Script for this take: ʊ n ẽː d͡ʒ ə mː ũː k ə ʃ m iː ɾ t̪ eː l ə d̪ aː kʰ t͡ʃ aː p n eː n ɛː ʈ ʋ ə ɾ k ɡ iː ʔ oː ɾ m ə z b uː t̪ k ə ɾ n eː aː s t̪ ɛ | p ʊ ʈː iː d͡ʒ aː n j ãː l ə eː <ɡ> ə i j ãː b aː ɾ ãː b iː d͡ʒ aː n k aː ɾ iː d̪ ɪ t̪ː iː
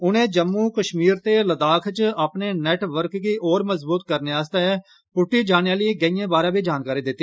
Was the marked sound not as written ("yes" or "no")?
no